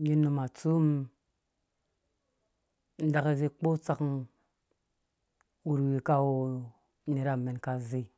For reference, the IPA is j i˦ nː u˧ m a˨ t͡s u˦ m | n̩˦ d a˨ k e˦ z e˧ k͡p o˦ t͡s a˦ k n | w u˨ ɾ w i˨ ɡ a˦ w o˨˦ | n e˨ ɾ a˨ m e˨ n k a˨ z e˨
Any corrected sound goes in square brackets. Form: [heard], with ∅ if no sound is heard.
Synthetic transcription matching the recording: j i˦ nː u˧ m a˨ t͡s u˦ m | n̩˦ d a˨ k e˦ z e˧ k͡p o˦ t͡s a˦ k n | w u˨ ɾ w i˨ [k] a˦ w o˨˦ | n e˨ ɾ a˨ m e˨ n k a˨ z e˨